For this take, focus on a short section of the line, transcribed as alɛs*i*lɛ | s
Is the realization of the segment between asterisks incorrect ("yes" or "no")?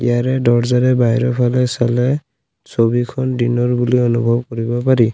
yes